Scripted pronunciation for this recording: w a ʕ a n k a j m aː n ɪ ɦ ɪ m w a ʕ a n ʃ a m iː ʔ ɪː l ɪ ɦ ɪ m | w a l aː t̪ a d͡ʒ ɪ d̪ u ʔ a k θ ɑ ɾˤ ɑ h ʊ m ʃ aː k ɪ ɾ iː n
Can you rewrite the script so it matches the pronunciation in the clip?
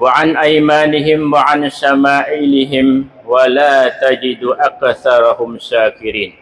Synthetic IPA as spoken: w a ʕ a n ʔ a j m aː n ɪ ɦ ɪ m w a ʕ a n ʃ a m aː ʔ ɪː l ɪ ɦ ɪ m | w a l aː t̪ a d͡ʒ ɪ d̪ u ʔ a k θ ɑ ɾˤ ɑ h ʊ m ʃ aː k ɪ ɾ iː n